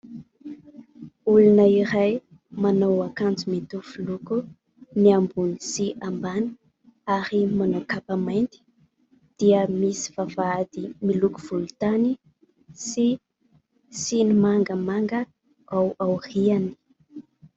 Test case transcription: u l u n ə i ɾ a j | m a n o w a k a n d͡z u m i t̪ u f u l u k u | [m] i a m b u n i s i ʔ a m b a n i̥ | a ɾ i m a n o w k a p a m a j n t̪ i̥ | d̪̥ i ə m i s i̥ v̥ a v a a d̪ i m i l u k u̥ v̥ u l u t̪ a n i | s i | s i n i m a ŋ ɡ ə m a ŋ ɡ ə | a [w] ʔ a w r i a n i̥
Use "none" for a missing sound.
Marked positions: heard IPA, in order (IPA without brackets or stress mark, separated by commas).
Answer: n, w